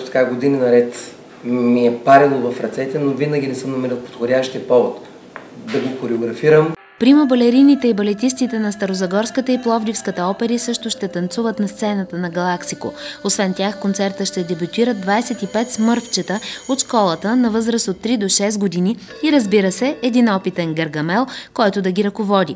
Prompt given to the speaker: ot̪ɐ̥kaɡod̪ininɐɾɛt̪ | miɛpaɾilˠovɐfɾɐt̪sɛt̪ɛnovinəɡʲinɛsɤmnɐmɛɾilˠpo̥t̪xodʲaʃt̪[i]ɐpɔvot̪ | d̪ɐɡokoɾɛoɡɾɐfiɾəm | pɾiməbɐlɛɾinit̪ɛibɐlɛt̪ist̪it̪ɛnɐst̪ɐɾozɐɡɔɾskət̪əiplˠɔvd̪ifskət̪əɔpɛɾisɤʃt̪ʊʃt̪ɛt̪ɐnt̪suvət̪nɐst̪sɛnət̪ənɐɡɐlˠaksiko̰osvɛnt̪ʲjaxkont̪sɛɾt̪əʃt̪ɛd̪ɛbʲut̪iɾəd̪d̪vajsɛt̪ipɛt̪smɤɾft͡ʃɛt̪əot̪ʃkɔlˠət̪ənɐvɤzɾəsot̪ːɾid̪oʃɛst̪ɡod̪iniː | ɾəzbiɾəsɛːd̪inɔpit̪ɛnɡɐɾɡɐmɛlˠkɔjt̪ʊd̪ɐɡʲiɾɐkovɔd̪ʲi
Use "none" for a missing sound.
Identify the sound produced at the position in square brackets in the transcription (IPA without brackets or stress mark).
i